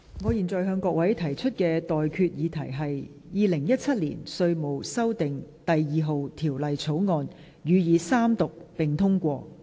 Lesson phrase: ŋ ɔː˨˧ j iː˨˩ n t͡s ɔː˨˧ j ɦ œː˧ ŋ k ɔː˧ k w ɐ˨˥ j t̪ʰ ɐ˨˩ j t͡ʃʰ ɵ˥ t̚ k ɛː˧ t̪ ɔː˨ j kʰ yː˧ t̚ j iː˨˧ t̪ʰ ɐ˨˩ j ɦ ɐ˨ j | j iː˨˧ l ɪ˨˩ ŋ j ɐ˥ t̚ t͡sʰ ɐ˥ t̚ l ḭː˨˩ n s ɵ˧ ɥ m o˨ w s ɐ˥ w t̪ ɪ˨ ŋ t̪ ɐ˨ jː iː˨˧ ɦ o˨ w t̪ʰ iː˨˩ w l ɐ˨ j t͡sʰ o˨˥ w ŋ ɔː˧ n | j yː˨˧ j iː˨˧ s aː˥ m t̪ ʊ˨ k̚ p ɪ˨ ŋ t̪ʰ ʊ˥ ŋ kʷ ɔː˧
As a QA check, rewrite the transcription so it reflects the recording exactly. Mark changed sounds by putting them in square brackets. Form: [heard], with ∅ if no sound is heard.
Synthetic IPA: ŋ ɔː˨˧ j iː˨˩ n t͡s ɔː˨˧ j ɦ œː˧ ŋ k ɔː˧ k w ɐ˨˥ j t̪ʰ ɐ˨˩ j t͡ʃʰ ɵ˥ t̚ k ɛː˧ t̪ ɔː˨ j kʰ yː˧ t̚ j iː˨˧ t̪ʰ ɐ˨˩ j ɦ ɐ˨ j | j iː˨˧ l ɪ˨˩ ŋ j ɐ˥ t̚ t͡sʰ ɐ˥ t̚ l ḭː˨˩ n s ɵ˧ ɥ m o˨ w s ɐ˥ w t̪ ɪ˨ ŋ t̪ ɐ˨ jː iː˨˧ ɦ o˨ w t̪ʰ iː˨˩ w l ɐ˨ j t͡sʰ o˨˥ w ŋ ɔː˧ n | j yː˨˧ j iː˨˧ s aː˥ m t̪ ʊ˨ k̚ p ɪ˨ ŋ t̪ʰ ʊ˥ ŋ kʷ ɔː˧

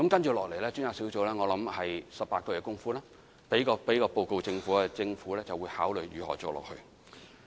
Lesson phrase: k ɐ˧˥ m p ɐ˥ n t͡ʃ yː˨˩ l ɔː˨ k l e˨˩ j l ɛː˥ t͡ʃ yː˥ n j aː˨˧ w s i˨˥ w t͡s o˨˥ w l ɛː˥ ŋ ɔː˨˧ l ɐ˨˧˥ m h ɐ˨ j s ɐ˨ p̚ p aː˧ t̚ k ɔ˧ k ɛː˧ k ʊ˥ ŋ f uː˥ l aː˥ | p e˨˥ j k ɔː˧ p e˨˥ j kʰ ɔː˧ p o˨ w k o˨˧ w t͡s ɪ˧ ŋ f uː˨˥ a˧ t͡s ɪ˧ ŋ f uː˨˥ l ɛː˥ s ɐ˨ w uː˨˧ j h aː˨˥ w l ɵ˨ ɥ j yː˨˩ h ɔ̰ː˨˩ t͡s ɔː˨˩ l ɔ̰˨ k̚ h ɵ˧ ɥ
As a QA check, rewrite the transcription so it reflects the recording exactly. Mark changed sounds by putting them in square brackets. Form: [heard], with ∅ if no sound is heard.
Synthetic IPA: k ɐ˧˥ m [k] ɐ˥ n t͡ʃ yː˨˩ l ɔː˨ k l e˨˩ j l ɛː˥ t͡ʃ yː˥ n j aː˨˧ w s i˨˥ w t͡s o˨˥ w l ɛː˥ ŋ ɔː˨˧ l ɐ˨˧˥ m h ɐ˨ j s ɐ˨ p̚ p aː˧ t̚ k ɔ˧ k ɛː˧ k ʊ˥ ŋ f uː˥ l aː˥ | p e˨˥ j k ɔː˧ p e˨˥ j [k] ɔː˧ p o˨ w k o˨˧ w t͡s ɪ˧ ŋ f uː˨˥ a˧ t͡s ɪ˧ ŋ f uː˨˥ l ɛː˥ [t͡s] ɐ˨ w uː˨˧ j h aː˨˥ w l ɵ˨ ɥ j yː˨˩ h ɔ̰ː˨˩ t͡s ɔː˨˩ l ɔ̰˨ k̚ h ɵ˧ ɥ

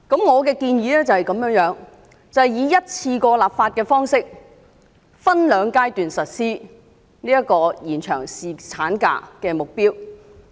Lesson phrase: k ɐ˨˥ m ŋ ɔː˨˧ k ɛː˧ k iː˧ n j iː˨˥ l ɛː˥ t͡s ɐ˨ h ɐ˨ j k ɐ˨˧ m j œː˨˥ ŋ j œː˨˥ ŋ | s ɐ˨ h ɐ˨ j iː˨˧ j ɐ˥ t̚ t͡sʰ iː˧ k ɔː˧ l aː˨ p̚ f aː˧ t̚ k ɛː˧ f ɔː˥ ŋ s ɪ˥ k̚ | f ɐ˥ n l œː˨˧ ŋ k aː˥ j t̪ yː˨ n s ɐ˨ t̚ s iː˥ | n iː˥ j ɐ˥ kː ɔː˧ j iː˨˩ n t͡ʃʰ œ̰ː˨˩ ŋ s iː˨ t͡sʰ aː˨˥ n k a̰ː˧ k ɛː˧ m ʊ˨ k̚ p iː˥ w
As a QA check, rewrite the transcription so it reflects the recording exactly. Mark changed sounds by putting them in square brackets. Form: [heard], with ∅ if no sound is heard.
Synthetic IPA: k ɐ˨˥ m ŋ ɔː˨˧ k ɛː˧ k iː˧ n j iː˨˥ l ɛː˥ t͡s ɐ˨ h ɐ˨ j k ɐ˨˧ m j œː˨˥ ŋ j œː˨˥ ŋ | [t͡s] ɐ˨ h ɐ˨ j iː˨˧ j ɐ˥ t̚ t͡sʰ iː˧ k ɔː˧ l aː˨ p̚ f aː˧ t̚ k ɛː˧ f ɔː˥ ŋ s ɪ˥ k̚ | f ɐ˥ n l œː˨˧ ŋ k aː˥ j t̪ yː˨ n s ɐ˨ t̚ s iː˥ | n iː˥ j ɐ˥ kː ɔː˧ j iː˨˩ n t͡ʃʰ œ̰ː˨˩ ŋ s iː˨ t͡sʰ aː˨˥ n k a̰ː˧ k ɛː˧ m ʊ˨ k̚ p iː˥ w

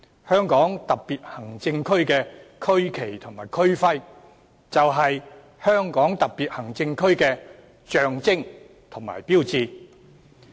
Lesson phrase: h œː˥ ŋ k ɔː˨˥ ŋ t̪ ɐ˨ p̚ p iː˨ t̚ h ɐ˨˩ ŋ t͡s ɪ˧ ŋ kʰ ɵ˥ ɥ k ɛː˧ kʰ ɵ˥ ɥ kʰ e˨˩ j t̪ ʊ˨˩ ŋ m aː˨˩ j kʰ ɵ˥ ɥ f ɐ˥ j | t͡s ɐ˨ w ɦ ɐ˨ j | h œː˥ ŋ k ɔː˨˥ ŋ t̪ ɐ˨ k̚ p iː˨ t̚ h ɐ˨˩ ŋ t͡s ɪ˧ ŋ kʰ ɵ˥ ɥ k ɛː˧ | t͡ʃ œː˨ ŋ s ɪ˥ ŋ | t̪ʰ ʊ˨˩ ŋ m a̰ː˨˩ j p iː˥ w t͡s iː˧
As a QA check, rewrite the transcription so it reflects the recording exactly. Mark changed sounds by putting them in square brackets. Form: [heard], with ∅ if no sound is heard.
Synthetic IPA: h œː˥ ŋ k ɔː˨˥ ŋ t̪ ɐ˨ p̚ p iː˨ t̚ h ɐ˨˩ ŋ t͡s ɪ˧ ŋ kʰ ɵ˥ ɥ k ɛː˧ kʰ ɵ˥ ɥ kʰ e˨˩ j [t̪ʰ] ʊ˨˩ ŋ m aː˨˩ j kʰ ɵ˥ ɥ f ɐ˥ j | t͡s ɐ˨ w ɦ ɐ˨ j | h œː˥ ŋ k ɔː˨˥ ŋ t̪ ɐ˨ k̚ p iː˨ t̚ h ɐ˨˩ ŋ t͡s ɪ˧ ŋ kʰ ɵ˥ ɥ k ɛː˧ | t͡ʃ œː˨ ŋ [t͡s] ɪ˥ ŋ | t̪ʰ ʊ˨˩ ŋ m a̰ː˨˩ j p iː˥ w t͡s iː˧

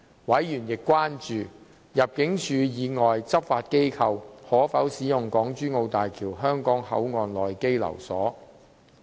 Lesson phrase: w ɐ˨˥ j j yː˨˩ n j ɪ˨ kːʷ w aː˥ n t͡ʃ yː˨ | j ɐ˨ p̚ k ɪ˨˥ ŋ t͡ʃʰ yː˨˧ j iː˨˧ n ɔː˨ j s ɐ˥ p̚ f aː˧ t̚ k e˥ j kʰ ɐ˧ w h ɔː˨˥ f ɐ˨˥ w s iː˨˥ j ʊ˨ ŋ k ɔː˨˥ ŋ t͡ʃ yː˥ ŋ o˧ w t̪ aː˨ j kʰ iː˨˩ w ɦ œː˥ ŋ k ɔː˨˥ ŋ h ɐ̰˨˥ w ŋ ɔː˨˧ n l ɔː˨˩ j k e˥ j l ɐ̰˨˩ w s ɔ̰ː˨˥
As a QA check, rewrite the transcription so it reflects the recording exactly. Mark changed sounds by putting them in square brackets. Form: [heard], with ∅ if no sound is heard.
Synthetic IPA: w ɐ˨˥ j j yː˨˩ n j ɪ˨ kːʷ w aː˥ n t͡ʃ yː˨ | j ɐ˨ p̚ k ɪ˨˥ ŋ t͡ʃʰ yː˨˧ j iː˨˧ [ŋ] ɔː˨ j [t͡s] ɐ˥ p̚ f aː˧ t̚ k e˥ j kʰ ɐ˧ w h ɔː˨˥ f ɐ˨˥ w s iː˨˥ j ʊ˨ ŋ k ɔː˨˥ ŋ t͡ʃ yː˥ ŋ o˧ w t̪ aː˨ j kʰ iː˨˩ w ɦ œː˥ ŋ k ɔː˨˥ ŋ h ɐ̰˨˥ w ŋ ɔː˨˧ n l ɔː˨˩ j k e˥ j l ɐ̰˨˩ w s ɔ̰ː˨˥

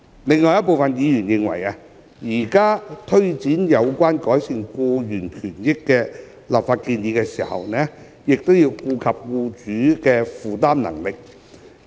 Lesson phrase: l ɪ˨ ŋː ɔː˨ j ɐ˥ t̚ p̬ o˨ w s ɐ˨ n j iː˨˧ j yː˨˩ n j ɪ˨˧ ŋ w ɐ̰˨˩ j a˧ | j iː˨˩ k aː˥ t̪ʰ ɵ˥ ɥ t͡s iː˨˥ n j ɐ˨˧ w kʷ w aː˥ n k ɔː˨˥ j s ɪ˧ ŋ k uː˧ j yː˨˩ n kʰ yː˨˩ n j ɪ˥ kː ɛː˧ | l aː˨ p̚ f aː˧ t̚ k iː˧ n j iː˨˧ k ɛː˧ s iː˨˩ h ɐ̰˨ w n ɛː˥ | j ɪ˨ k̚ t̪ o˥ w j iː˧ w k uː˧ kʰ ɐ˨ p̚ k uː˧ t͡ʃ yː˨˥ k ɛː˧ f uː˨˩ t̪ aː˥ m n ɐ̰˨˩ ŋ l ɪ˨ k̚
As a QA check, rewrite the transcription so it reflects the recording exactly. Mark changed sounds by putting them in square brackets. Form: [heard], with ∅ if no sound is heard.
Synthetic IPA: l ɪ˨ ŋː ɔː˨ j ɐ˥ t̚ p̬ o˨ w [f] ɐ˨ n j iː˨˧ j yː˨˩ n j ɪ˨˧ ŋ w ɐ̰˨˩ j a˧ | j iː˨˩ k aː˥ t̪ʰ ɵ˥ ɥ t͡s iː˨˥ n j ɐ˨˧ w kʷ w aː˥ n k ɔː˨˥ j s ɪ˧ ŋ k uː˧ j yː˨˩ n kʰ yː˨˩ n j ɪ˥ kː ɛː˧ | l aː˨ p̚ f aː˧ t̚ k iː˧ n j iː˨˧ k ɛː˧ s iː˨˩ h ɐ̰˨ w n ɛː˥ | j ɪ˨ k̚ t̪ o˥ w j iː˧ w k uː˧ kʰ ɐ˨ p̚ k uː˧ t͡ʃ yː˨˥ k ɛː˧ f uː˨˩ t̪ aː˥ m n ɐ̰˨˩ ŋ l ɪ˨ k̚

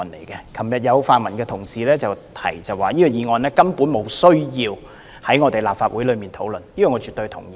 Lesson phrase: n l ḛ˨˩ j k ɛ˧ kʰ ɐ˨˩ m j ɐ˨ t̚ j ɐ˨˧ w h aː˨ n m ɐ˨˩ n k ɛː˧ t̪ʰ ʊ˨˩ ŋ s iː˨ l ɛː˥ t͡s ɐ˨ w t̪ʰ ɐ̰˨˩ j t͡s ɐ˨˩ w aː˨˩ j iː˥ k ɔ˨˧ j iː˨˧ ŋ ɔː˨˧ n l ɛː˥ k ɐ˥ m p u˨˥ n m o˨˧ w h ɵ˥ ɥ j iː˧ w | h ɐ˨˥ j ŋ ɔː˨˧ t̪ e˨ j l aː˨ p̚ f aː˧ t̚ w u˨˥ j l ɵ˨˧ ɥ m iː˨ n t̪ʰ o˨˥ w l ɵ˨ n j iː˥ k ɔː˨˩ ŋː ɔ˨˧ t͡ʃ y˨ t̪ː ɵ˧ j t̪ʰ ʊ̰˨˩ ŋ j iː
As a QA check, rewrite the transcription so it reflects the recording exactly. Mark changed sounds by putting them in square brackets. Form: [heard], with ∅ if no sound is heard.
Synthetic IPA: n l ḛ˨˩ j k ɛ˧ kʰ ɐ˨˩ m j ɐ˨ t̚ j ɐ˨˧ w [f] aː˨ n m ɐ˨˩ n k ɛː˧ t̪ʰ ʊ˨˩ ŋ s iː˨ l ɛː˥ t͡s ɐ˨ w t̪ʰ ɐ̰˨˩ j t͡s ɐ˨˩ w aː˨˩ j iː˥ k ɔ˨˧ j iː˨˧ ŋ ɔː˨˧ n l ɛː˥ k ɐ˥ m p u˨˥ n m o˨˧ w [s] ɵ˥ ɥ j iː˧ w | h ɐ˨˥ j ŋ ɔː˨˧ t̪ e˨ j l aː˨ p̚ f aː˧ t̚ w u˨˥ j l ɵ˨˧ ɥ m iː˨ n t̪ʰ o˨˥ w l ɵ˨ n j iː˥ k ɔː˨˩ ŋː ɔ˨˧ t͡ʃ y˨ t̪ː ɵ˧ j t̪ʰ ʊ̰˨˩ ŋ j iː

